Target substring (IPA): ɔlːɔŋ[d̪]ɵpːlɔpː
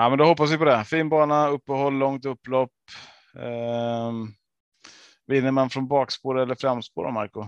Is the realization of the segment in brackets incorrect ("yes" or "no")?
yes